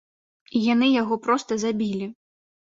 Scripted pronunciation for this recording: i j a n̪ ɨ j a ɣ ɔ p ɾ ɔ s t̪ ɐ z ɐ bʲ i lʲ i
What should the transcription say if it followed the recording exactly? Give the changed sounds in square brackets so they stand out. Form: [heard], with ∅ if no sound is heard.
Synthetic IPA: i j a n̪ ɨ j a ɣ ɔ p ɾ ɔ s t̪ ɐ z [a] bʲ i lʲ i